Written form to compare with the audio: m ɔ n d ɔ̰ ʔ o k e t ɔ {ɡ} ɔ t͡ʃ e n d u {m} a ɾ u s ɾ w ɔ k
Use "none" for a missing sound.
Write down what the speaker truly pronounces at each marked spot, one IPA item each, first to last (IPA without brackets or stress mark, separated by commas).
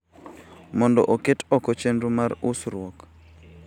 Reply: k, m